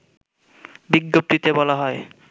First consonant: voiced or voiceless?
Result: voiced